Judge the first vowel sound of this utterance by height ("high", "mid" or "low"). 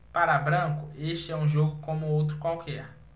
low